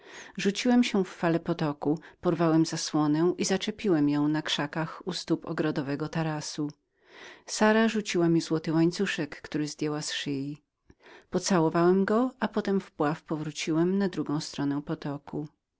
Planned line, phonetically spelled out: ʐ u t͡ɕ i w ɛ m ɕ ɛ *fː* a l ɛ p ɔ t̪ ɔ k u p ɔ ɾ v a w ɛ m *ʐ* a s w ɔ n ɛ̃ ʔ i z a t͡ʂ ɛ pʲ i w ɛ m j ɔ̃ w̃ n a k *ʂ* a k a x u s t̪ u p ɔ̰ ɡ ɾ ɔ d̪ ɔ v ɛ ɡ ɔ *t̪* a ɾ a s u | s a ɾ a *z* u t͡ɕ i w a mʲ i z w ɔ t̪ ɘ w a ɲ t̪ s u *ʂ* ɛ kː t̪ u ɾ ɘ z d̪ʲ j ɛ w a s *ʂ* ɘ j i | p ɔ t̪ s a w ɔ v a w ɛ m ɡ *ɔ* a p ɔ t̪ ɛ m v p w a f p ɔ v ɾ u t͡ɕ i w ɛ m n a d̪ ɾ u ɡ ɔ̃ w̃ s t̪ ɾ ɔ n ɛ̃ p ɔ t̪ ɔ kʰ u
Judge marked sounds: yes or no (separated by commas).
yes, no, yes, yes, no, yes, yes, yes